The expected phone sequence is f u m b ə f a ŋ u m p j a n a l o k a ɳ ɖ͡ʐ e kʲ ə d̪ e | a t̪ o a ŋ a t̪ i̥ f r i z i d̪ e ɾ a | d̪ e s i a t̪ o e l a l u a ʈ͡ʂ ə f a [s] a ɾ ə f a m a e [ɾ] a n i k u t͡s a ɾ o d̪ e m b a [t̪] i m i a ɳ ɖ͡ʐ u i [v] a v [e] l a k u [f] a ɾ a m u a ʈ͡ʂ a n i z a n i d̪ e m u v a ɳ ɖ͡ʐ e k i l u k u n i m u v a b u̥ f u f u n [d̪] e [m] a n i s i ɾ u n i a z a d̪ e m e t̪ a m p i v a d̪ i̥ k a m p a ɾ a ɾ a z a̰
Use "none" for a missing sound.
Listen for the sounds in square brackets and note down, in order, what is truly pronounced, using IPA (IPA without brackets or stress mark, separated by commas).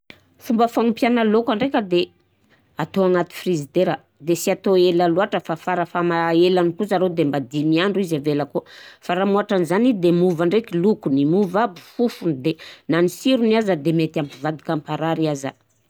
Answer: f, l, d̪, z, e, f, d̪, n